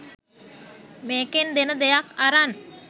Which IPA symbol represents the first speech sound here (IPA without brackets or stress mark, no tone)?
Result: m